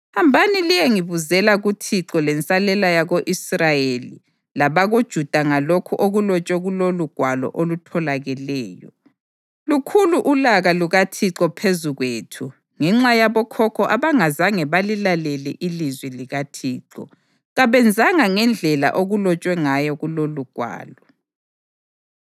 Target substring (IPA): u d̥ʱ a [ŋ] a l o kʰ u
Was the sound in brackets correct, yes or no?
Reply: yes